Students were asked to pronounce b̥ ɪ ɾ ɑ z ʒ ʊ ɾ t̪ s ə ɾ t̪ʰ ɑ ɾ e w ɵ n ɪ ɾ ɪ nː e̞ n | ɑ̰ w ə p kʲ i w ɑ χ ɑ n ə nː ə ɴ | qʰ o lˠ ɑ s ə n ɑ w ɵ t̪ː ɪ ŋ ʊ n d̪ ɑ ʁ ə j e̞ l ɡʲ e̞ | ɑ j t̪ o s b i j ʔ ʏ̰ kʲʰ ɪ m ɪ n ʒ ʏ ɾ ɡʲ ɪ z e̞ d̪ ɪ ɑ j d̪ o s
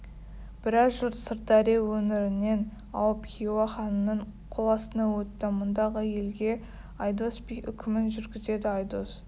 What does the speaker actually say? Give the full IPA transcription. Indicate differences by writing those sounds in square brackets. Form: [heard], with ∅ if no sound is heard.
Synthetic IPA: b̥ ɪ ɾ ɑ z ʒ ʊ ɾ t̪ s ə ɾ [t̪] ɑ ɾ e w ɵ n ɪ ɾ ɪ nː e̞ n | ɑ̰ w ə p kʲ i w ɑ χ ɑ n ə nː ə ɴ | qʰ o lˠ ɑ s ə n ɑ w ɵ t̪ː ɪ [m] ʊ n d̪ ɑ ʁ ə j e̞ l ɡʲ e̞ | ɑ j [d̪] o s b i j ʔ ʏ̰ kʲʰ ɪ m ɪ n ʒ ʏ ɾ ɡʲ ɪ z e̞ d̪ ɪ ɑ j d̪ o s

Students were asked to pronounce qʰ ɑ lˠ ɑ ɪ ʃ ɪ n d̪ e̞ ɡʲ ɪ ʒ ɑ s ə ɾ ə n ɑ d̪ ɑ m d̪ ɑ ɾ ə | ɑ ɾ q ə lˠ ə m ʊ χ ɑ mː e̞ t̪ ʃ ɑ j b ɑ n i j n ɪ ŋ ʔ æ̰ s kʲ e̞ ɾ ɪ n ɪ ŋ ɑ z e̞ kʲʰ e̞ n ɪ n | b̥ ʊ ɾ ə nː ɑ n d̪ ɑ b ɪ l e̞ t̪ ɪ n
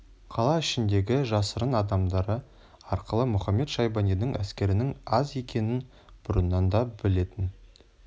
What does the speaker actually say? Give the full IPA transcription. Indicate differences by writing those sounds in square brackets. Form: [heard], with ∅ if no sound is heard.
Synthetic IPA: qʰ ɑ lˠ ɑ ɪ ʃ ɪ n d̪ e̞ ɡʲ ɪ ʒ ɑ s ə ɾ ə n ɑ d̪ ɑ m d̪ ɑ ɾ ə | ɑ ɾ q ə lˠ ə m ʊ χ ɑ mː e̞ t̪ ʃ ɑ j b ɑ n i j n ɪ ŋ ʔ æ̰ s kʲ e̞ ɾ ɪ n ɪ ŋ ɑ z e̞ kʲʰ e̞ n ɪ n | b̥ ʊ ɾ ə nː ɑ n d̪ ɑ b ɪ l e̞ t̪ ɪ n

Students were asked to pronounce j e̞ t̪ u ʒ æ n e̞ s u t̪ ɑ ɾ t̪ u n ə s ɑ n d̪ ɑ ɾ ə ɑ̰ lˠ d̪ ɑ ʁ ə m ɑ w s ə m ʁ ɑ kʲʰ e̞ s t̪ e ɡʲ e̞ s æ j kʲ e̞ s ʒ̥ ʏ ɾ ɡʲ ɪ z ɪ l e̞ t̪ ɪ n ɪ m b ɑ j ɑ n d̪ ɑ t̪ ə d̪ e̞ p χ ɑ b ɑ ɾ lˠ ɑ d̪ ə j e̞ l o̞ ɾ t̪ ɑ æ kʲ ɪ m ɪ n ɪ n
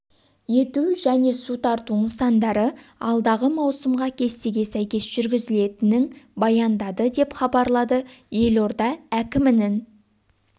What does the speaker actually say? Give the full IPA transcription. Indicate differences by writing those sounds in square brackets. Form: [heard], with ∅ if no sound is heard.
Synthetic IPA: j e̞ t̪ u ʒ æ n e̞ s u t̪ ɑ ɾ t̪ u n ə s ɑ n d̪ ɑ ɾ ə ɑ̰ lˠ d̪ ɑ ʁ ə m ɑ w s ə m ʁ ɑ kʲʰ e̞ s t̪ e ɡʲ e̞ s æ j kʲ e̞ s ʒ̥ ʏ ɾ ɡʲ ɪ z ɪ l e̞ t̪ ɪ n ɪ [ŋ] b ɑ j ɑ n d̪ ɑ [d̪] ə d̪ e̞ p χ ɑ b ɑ ɾ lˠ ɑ d̪ ə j e̞ l o̞ ɾ [d̪] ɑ æ kʲ ɪ m ɪ n ɪ n

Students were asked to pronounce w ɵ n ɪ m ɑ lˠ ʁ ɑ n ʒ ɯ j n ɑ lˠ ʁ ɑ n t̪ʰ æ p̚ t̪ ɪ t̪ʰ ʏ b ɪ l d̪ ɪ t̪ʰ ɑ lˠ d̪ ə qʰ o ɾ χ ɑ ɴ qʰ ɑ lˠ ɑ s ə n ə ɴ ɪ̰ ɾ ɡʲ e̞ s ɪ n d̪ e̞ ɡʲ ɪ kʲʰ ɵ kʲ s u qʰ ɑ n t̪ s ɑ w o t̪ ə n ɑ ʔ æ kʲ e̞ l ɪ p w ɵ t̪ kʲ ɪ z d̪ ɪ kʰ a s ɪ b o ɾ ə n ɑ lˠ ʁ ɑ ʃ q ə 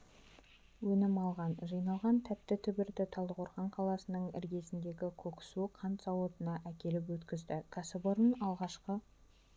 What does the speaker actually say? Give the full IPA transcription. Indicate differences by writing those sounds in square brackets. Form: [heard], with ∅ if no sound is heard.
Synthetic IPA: w ɵ n ɪ m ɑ lˠ ʁ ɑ n ʒ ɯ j n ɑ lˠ ʁ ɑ n t̪ʰ æ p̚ t̪ ɪ t̪ʰ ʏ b ɪ [ɾ] d̪ ɪ t̪ʰ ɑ lˠ d̪ ə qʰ o ɾ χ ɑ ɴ qʰ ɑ lˠ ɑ s ə n ə ɴ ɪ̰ ɾ ɡʲ e̞ s ɪ n d̪ e̞ ɡʲ ɪ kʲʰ ɵ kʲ s u qʰ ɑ n t̪ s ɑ w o t̪ ə n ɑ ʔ æ kʲ e̞ l ɪ p w ɵ t̪ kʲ ɪ z d̪ ɪ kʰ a s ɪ b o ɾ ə n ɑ lˠ ʁ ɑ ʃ q ə

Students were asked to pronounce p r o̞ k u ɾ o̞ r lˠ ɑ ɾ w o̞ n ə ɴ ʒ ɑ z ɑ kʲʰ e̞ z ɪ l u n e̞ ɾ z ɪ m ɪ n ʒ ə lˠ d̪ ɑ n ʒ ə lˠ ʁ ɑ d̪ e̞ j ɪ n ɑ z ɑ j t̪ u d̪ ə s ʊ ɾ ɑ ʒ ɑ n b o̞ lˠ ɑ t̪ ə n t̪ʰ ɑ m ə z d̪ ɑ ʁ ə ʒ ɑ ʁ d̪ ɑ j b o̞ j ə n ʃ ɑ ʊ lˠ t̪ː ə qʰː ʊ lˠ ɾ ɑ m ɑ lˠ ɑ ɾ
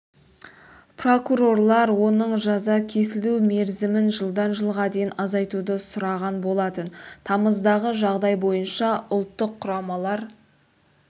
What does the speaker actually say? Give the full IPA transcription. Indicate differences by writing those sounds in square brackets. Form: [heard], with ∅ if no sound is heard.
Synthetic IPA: p r o̞ k u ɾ o̞ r lˠ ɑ ɾ w o̞ n ə ɴ ʒ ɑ z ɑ kʲʰ e̞ [s] ɪ l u [m] e̞ ɾ z ɪ m ɪ n ʒ ə lˠ d̪ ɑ n ʒ ə lˠ ʁ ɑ d̪ e̞ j ɪ n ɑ z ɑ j t̪ u d̪ ə s ʊ ɾ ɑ [ʁ] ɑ n b o̞ lˠ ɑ t̪ ə n t̪ʰ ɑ m ə z d̪ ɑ ʁ ə ʒ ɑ ʁ d̪ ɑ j b o̞ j ə n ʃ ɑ ʊ lˠ t̪ː ə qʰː ʊ [∅] ɾ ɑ m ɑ lˠ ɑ ɾ

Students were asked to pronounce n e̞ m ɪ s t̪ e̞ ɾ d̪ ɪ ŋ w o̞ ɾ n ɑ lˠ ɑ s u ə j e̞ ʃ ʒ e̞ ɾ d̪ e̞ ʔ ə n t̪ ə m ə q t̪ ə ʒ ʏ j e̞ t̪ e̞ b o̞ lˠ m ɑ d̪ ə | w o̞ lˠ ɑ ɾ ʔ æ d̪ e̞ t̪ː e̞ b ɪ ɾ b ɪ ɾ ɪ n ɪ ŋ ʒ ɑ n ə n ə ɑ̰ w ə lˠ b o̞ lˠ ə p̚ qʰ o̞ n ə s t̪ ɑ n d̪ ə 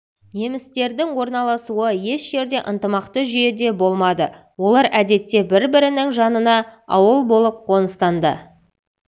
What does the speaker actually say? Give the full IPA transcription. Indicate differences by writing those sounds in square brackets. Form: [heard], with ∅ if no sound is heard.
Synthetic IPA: n e̞ m ɪ s t̪ e̞ ɾ d̪ ɪ ŋ w o̞ ɾ n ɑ lˠ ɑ s u ə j e̞ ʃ ʒ e̞ ɾ d̪ e̞ ʔ ə n t̪ ə m [ɑ] q t̪ ə ʒ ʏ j e̞ [d̪] e̞ b o̞ lˠ m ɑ d̪ ə | w o̞ lˠ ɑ ɾ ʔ æ d̪ e̞ t̪ː e̞ b ɪ ɾ b ɪ ɾ ɪ n ɪ ŋ ʒ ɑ n ə n [ɑ] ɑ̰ w ə lˠ b o̞ lˠ ə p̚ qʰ o̞ n ə s t̪ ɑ n d̪ ə

